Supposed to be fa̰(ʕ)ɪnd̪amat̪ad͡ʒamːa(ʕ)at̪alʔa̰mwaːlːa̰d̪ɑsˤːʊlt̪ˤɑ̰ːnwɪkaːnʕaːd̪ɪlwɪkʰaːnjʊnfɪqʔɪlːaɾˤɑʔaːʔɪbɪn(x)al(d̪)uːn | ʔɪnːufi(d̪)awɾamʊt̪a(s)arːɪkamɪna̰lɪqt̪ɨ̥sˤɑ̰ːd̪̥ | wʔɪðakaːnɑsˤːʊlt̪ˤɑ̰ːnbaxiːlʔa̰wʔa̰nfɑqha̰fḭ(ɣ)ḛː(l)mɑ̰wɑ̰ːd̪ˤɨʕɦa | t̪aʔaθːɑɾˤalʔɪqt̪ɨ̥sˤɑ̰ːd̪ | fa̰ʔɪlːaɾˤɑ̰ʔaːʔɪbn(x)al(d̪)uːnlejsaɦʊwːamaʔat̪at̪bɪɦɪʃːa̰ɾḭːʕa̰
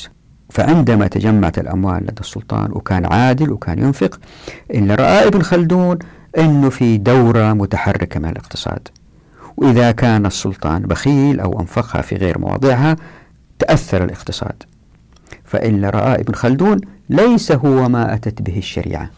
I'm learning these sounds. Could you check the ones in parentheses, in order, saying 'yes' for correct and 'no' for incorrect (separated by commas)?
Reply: yes, yes, yes, yes, yes, no, yes, no, yes, yes